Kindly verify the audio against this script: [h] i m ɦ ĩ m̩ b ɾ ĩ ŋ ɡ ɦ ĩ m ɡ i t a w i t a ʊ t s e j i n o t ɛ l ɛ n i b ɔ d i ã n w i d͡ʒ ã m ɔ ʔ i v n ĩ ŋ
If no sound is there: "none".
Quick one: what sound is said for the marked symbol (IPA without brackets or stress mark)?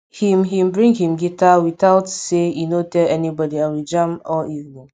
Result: h